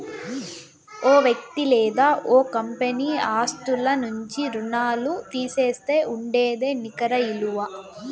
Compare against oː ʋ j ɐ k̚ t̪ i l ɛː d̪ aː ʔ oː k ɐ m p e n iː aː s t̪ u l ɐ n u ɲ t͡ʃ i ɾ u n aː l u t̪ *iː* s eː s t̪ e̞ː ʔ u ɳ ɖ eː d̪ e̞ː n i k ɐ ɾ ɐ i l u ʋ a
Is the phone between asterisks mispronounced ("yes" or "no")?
no